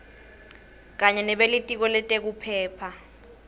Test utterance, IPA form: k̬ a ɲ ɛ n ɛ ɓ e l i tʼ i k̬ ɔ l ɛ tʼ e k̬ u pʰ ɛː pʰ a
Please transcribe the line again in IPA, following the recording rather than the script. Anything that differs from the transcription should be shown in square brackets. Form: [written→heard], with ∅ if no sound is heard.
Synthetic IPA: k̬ a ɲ ɛ n ɛ ɓ e l i tʼ i k̬ ɔ l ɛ tʼ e k̬ u pʰ ɛː pʰ a